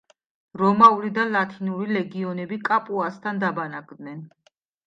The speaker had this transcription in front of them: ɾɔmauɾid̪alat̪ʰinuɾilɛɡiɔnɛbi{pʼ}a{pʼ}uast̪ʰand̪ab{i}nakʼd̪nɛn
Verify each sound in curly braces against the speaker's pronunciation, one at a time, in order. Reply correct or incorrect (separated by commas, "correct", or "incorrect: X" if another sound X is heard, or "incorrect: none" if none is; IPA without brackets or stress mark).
incorrect: kʼ, correct, incorrect: a